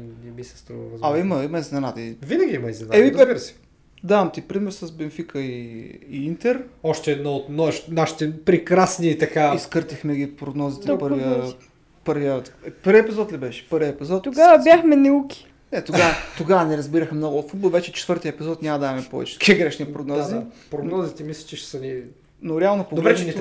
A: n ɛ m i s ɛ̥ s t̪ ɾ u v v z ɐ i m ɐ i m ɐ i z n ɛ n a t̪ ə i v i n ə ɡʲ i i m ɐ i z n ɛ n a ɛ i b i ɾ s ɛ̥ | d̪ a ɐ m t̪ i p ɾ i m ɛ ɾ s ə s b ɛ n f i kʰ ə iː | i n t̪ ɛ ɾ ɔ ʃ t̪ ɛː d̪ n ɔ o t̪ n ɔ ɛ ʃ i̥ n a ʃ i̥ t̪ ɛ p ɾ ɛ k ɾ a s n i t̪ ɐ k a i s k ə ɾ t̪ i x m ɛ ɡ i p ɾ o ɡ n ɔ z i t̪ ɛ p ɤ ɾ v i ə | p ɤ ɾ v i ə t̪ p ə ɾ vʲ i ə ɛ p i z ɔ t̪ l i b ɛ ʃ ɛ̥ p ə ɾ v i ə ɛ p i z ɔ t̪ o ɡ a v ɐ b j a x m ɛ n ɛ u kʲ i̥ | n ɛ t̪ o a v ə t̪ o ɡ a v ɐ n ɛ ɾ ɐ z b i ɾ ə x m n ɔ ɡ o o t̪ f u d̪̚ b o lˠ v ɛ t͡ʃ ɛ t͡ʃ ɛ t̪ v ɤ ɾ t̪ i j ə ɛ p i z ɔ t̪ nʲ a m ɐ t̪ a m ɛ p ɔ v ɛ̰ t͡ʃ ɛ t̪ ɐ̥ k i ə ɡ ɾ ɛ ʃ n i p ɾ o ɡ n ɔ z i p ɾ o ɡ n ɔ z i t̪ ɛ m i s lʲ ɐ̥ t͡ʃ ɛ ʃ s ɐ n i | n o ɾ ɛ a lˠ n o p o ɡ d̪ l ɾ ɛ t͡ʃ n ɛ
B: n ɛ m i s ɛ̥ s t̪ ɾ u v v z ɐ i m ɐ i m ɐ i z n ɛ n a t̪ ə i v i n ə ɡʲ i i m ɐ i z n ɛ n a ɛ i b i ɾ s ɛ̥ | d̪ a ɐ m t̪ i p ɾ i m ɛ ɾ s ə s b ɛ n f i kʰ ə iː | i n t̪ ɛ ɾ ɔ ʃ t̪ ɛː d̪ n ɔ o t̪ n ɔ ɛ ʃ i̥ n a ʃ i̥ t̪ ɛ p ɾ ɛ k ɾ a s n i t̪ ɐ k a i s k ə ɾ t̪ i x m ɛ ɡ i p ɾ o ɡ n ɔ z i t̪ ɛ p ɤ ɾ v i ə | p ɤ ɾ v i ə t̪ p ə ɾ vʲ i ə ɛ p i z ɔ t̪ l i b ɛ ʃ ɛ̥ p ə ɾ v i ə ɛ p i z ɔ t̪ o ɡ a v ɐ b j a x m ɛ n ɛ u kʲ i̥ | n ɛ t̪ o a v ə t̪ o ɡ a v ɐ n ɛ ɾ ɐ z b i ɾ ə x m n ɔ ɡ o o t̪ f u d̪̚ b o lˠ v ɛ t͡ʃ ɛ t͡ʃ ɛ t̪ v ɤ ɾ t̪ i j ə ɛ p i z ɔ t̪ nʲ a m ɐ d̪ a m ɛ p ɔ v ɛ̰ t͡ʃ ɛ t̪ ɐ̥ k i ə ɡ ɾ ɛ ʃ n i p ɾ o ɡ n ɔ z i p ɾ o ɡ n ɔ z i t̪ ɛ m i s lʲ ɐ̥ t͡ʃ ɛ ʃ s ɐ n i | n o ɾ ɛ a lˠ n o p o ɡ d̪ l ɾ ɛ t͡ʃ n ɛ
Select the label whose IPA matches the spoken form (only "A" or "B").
B